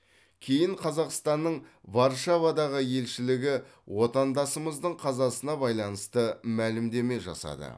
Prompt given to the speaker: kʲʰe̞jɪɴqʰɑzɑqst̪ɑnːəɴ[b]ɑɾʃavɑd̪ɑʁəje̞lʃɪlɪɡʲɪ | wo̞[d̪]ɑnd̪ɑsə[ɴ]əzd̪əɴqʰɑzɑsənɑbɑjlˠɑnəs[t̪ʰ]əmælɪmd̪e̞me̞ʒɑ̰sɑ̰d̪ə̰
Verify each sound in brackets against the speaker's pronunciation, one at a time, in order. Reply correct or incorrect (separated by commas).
incorrect, incorrect, incorrect, incorrect